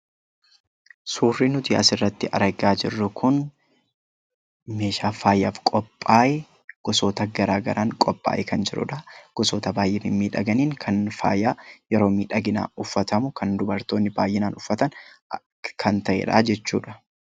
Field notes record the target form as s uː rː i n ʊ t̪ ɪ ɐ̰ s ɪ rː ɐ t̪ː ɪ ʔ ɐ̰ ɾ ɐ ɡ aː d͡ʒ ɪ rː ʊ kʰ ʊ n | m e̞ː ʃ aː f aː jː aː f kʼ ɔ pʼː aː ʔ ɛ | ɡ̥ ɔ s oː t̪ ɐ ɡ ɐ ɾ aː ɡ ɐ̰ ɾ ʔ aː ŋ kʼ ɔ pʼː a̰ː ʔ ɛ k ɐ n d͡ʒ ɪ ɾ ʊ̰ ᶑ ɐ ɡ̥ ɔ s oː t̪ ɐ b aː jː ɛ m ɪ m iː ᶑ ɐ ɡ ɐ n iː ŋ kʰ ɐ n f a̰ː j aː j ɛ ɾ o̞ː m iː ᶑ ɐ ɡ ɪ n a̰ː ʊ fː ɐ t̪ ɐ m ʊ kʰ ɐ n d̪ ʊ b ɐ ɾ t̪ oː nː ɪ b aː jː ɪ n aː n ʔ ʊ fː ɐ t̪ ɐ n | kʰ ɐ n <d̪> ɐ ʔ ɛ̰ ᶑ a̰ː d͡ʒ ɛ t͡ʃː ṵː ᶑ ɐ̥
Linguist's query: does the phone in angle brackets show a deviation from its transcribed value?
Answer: yes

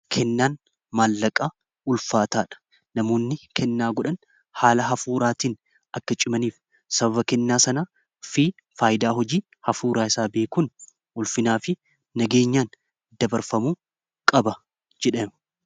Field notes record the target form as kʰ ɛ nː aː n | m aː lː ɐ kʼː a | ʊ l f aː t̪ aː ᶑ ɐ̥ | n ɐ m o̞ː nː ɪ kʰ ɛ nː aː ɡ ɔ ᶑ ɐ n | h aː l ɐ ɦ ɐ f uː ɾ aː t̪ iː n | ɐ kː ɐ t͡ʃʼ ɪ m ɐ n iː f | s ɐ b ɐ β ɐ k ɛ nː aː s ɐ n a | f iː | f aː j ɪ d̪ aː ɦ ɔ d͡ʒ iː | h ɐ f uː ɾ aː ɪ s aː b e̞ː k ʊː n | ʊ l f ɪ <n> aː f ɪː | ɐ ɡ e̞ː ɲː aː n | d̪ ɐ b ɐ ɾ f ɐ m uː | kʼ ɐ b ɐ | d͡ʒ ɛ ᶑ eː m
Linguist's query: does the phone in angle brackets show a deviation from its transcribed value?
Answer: no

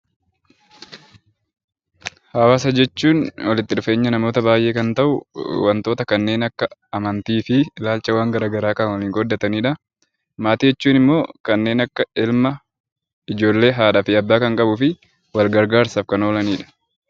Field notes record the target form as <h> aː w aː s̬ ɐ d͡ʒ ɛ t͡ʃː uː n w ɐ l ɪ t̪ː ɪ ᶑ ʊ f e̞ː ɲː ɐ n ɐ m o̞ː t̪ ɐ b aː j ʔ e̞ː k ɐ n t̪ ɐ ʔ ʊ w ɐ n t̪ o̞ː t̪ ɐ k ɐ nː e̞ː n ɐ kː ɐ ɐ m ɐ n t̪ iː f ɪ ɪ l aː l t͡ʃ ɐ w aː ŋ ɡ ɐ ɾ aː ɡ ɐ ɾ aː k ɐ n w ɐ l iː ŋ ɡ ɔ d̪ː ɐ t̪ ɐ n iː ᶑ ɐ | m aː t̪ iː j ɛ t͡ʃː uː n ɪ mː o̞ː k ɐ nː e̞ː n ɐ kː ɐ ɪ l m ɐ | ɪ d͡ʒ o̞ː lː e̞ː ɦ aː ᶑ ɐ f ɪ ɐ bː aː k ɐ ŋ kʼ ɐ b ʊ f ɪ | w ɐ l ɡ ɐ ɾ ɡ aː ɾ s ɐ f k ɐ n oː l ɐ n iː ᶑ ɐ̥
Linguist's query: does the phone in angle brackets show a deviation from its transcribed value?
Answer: no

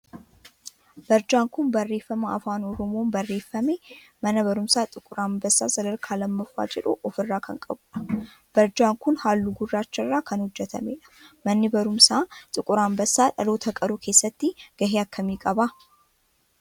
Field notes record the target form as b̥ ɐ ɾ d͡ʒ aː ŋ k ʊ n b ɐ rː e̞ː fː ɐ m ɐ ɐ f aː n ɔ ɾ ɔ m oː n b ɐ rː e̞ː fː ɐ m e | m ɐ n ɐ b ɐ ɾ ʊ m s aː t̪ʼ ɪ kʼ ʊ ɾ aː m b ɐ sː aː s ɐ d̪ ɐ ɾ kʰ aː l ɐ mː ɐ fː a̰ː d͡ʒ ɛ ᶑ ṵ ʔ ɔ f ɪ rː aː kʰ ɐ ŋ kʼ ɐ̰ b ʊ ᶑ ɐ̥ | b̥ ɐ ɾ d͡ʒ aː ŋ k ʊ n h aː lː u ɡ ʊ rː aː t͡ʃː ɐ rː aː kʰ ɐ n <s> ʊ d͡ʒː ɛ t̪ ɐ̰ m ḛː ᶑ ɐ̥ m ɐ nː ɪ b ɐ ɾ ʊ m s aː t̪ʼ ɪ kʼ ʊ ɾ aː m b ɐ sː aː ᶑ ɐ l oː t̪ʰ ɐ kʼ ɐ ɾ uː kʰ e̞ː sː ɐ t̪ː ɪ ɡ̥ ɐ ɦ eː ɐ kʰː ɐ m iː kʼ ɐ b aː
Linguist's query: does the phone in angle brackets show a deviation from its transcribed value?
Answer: yes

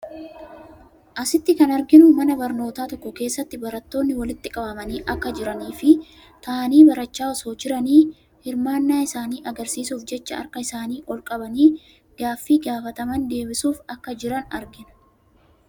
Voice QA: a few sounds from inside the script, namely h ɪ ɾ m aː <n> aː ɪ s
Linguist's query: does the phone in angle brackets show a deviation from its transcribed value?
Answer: yes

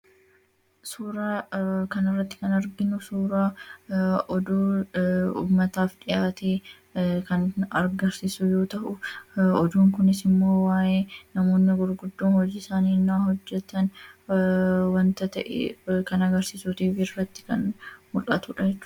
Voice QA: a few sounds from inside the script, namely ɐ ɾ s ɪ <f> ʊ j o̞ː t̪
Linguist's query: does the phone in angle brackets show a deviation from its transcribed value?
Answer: yes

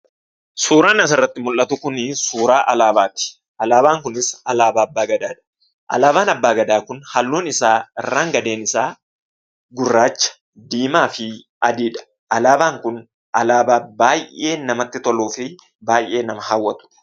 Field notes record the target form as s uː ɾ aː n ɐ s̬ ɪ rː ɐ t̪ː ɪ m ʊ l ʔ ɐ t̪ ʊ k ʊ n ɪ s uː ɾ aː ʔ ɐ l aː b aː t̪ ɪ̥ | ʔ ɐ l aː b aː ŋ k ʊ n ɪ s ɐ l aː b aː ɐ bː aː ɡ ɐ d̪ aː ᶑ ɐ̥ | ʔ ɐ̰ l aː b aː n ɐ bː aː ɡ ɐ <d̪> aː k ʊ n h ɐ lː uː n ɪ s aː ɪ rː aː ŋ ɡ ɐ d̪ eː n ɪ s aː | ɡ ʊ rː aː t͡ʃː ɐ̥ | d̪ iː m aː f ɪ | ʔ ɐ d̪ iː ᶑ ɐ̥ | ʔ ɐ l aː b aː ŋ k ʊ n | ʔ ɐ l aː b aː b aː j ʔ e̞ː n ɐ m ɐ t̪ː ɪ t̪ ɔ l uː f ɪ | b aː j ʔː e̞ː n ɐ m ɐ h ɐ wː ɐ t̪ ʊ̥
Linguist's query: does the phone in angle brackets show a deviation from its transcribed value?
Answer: no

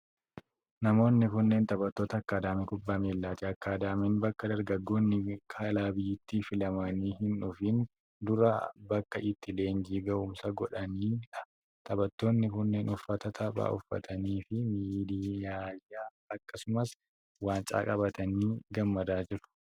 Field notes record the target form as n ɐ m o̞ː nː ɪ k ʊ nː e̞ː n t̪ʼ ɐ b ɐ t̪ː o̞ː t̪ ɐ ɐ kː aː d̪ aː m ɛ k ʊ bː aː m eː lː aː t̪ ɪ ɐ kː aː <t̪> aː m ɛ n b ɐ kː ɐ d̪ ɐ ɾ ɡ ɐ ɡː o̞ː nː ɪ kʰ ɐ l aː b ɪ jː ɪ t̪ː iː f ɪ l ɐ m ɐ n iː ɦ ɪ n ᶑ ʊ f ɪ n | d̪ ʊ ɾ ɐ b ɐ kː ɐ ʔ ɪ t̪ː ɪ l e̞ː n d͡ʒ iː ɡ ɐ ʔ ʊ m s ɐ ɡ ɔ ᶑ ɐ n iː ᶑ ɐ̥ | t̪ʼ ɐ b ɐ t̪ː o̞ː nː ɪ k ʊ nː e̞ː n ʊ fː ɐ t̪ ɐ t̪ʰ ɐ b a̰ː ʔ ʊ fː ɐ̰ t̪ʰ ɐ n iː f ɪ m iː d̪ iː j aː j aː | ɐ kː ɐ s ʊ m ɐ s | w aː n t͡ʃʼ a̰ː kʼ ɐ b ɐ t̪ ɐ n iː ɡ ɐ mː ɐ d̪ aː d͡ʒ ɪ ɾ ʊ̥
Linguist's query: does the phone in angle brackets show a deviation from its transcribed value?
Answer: yes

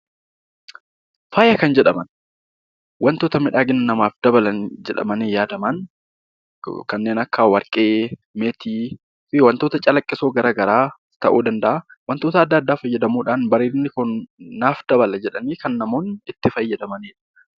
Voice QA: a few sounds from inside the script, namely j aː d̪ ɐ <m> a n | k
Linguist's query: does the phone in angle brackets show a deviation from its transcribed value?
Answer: no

